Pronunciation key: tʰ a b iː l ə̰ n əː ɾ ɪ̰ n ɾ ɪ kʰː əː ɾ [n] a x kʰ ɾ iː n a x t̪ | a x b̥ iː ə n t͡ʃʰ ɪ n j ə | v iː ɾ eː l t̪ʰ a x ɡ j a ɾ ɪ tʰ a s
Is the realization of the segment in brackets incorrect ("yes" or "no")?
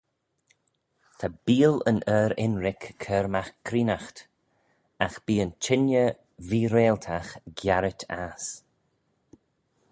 yes